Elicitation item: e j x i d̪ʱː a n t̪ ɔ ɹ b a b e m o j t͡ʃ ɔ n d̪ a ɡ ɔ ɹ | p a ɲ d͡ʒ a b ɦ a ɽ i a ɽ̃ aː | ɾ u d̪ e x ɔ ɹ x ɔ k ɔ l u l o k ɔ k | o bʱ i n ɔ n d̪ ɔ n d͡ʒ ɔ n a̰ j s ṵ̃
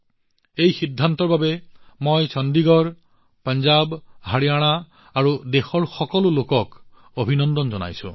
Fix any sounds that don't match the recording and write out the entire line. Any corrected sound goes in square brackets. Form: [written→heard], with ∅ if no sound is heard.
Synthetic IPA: e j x i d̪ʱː a n t̪ ɔ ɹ b a b e m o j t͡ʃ ɔ n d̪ [a→i] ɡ ɔ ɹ | p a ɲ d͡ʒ a b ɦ a ɽ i a ɽ̃ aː | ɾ u d̪ e x ɔ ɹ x ɔ k ɔ l u l o k ɔ k | o bʱ i n ɔ n d̪ ɔ n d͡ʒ ɔ n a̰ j s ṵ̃